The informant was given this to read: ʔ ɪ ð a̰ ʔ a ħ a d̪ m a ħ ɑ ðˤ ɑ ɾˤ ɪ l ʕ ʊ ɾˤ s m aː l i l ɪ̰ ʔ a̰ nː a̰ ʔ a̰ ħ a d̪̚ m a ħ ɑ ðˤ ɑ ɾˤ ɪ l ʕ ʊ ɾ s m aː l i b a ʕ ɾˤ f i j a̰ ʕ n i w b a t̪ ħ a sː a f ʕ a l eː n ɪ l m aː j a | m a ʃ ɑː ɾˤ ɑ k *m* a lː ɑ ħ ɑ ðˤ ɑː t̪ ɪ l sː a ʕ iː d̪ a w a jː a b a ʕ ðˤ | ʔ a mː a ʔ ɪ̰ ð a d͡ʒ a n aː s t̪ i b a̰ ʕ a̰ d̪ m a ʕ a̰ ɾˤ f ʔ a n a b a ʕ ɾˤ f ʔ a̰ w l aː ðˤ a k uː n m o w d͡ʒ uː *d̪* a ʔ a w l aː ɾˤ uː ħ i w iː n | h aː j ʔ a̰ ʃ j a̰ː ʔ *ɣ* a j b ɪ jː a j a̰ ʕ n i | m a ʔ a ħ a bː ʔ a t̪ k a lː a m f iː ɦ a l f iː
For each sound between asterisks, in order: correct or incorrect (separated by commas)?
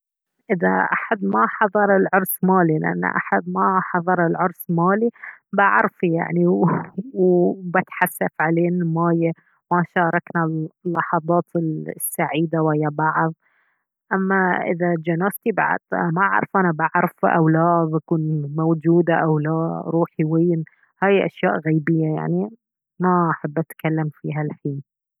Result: incorrect, correct, correct